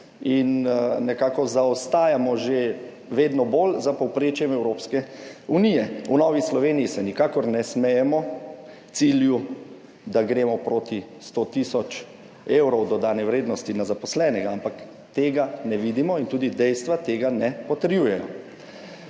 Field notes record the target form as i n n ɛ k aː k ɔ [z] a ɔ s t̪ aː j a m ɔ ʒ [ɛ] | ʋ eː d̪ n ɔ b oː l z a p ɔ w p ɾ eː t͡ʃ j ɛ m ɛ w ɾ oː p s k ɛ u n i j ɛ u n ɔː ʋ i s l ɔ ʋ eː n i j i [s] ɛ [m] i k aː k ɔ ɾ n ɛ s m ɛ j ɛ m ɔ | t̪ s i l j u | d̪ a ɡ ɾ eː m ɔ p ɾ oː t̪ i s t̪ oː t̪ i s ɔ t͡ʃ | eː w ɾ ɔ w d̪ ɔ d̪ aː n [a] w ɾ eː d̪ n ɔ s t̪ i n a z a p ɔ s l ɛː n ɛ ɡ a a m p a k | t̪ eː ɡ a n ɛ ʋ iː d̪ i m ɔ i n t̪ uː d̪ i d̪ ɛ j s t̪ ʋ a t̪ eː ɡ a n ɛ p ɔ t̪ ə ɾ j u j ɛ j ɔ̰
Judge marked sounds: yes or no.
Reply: yes, no, yes, no, no

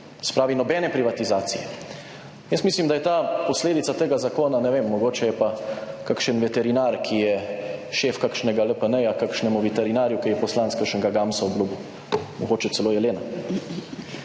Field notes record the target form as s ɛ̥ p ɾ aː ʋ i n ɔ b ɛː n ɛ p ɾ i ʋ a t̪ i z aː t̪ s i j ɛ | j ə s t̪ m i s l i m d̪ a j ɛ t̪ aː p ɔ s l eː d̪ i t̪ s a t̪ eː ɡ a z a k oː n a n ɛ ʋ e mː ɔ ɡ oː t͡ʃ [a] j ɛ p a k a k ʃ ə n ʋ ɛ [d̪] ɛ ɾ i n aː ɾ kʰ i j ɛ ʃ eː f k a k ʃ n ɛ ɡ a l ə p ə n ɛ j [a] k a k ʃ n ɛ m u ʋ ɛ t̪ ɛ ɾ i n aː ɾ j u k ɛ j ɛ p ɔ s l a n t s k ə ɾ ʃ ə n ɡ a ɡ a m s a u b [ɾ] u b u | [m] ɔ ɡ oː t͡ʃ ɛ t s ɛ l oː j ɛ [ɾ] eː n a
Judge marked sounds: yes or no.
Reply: no, no, yes, no, yes, no

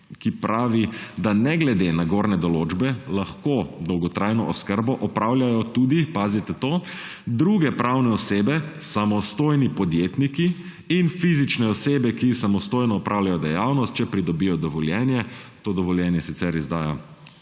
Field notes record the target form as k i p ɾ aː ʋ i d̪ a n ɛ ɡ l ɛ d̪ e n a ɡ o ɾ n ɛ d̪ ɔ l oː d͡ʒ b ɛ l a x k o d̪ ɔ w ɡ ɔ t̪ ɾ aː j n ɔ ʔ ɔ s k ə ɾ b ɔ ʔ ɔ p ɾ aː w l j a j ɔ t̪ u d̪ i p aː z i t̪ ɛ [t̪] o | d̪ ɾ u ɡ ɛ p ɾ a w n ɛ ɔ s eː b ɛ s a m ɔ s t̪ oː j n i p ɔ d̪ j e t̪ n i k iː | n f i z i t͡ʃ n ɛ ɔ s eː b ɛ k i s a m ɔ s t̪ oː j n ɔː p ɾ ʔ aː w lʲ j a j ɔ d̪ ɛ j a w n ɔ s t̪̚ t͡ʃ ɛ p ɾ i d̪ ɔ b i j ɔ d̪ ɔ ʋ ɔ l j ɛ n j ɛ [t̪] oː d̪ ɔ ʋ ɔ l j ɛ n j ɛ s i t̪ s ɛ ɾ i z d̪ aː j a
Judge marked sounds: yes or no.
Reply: yes, yes

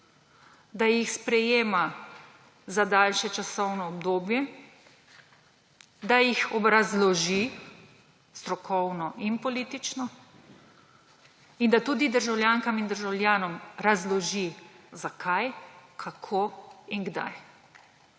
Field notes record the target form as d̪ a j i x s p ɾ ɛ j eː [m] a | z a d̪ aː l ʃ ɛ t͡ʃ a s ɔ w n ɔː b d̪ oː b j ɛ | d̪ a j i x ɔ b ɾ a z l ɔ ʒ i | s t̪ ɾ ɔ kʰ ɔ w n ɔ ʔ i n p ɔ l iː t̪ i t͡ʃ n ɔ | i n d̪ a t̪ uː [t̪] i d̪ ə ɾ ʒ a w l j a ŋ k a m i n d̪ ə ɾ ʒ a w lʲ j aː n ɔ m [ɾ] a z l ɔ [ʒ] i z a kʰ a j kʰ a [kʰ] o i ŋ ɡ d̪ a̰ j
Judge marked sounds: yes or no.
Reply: yes, no, yes, yes, yes

